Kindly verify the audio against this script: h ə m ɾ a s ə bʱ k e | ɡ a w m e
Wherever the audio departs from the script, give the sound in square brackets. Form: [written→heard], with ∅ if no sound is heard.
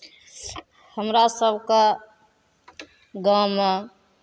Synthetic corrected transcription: h ə m ɾ a s ə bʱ k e | ɡ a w m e